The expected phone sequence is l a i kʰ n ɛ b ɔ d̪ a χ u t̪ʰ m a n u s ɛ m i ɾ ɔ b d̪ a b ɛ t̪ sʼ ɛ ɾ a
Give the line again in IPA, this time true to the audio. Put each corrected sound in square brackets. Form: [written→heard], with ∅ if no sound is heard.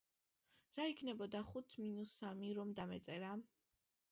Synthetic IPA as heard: [l→ɾ] a i kʰ n ɛ b ɔ d̪ a χ u t̪ʰ m [a→i] n u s [ɛ→a] m i ɾ ɔ [b→m] d̪ a [b→m] ɛ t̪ sʼ ɛ ɾ a

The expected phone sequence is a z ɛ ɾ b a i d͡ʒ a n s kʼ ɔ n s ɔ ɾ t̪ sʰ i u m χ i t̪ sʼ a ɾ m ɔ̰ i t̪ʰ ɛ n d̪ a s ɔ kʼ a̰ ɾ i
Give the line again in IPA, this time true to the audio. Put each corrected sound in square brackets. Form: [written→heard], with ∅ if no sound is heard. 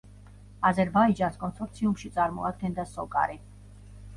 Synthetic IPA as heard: a z ɛ ɾ b a i d͡ʒ a n s kʼ ɔ n s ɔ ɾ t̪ sʰ i u m [χ→ʃ] i t̪ sʼ a ɾ m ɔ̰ [i→a] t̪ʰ ɛ n d̪ a s ɔ kʼ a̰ ɾ i

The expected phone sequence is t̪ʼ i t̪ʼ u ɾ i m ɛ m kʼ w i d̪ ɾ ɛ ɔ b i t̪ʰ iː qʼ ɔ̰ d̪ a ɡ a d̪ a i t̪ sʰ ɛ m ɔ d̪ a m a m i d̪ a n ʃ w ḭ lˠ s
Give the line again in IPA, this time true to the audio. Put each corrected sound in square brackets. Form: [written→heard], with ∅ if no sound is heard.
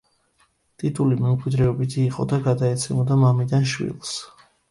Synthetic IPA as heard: t̪ʼ i t̪ʼ u [ɾ→l] i m ɛ m kʼ w i d̪ ɾ ɛ ɔ b i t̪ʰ iː qʼ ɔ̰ d̪ a ɡ a d̪ a [i→ɛ] t̪ sʰ ɛ m ɔ d̪ a m a m i d̪ a n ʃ w ḭ lˠ s

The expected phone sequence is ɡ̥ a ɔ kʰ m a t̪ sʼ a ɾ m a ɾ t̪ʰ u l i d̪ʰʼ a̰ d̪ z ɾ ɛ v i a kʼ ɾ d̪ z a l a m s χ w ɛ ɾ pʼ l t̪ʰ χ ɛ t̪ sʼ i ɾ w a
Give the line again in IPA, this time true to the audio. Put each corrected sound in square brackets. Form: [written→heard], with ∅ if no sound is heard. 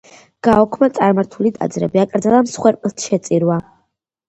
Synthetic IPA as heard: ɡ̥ a ɔ kʰ m a t̪ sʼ a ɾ m a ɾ t̪ʰ u l i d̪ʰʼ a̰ d̪ z ɾ ɛ [v→b] i a kʼ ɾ d̪ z a l a m s χ w ɛ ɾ pʼ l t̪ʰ [χ→ʃ] ɛ t̪ sʼ i ɾ w a

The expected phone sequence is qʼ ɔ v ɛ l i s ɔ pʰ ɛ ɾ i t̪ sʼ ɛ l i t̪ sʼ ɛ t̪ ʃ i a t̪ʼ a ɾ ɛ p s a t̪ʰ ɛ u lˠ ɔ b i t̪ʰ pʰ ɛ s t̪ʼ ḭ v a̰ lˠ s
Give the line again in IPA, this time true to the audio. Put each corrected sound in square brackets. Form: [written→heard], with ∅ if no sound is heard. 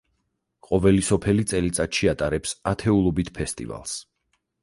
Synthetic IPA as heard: qʼ ɔ v ɛ l i s ɔ pʰ ɛ [ɾ→l] i t̪ sʼ ɛ l i t̪ sʼ [ɛ→a] t̪ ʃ i a t̪ʼ a ɾ ɛ p s a t̪ʰ ɛ u lˠ ɔ b i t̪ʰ pʰ ɛ s t̪ʼ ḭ v a̰ lˠ s

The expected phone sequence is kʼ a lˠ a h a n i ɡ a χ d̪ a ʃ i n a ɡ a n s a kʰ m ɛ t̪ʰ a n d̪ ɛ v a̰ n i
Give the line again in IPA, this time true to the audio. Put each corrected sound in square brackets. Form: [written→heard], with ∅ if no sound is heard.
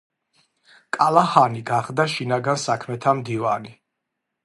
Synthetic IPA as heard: kʼ a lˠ a h a n i ɡ a χ d̪ a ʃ i n a ɡ a n s a kʰ m ɛ t̪ʰ a [n→m] d̪ [ɛ→i] v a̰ n i

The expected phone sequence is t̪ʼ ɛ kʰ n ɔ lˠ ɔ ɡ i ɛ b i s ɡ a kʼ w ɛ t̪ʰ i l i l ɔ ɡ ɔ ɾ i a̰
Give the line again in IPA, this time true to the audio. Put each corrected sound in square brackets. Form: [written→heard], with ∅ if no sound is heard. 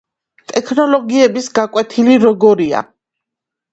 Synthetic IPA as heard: t̪ʼ ɛ kʰ n ɔ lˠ ɔ ɡ i ɛ b i s ɡ a kʼ w ɛ t̪ʰ i l i [l→ɾ] ɔ ɡ ɔ ɾ i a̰

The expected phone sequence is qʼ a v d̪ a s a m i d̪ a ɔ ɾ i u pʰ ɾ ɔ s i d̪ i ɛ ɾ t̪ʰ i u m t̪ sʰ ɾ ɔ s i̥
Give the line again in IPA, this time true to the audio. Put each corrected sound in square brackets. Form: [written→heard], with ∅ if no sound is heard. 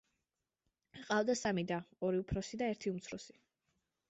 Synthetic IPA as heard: qʼ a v d̪ a s a m i d̪ a ɔ ɾ i u pʰ ɾ ɔ s i d̪ [i→a] ɛ ɾ t̪ʰ i u m t̪ sʰ ɾ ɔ s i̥

